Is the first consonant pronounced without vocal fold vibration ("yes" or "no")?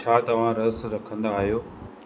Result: yes